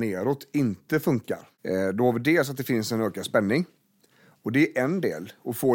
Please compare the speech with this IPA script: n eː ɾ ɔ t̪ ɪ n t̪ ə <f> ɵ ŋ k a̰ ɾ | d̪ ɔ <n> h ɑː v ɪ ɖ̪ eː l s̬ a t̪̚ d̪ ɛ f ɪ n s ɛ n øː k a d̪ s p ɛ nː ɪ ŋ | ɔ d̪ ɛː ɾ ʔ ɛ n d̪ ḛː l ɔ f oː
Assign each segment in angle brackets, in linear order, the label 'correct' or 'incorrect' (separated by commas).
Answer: correct, incorrect